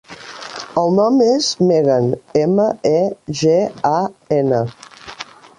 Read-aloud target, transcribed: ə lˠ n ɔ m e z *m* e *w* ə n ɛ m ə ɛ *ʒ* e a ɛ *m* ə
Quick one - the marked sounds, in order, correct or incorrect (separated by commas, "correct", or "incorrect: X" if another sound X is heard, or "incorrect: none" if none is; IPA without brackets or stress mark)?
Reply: correct, incorrect: ɣ, correct, incorrect: n